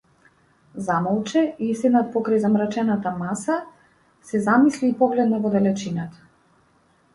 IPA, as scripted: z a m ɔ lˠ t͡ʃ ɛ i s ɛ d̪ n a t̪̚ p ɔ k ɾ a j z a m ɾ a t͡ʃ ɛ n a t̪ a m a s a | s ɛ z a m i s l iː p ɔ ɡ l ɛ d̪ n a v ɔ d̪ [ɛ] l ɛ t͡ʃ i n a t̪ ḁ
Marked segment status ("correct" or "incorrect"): correct